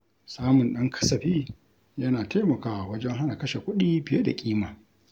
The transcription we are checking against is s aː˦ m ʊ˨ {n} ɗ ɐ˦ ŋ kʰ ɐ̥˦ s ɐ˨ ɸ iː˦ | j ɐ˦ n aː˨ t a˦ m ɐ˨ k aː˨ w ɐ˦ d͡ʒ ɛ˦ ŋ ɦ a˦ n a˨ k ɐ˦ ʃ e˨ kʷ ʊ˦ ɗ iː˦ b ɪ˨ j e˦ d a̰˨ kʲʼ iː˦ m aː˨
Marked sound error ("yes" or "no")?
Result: no